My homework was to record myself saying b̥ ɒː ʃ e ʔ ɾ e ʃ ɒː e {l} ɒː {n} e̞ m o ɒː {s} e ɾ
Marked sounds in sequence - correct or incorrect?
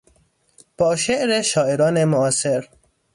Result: incorrect, correct, correct

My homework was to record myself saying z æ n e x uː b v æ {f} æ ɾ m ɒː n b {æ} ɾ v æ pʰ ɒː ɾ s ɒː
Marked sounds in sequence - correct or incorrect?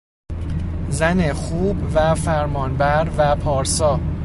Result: correct, correct

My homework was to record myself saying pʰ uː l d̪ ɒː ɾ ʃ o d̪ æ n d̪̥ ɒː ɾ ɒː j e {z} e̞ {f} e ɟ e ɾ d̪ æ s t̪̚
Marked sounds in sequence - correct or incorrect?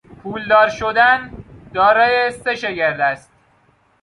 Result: incorrect, incorrect

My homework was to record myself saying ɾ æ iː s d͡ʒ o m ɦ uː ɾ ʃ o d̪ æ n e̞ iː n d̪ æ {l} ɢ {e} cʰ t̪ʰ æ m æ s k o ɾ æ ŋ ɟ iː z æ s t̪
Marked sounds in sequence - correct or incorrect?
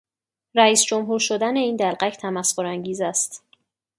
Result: correct, incorrect

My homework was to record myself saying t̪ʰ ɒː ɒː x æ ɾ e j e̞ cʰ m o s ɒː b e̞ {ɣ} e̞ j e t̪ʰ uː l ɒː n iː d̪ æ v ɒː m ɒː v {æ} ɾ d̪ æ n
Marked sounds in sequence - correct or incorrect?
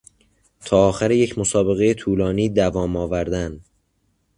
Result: correct, correct

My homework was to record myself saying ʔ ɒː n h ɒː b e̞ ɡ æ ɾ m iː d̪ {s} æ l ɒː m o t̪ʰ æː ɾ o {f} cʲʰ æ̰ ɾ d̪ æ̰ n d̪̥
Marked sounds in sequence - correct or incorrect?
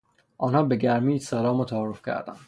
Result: correct, correct

